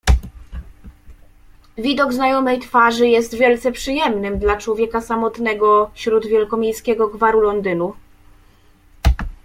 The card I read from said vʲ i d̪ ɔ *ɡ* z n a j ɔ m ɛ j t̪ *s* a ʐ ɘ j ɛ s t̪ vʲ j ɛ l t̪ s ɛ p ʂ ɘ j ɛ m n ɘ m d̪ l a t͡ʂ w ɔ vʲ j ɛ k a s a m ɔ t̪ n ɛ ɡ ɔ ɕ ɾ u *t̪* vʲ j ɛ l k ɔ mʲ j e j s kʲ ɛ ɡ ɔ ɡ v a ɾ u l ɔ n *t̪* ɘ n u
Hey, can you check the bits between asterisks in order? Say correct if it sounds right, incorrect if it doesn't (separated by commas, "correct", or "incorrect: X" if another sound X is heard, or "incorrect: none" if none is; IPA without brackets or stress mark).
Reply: correct, incorrect: f, incorrect: d̪, incorrect: d̪